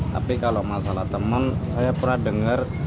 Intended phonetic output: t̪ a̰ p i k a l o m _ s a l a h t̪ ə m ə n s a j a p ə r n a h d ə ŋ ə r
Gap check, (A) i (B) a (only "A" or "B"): B